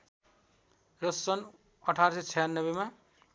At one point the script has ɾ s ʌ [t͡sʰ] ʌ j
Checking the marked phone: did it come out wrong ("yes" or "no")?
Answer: no